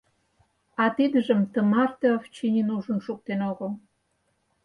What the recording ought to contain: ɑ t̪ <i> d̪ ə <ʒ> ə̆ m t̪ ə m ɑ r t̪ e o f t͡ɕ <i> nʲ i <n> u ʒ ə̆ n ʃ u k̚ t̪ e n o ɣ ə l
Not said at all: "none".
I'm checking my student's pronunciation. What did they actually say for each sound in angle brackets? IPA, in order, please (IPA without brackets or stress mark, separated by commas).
i, ʒ, i, n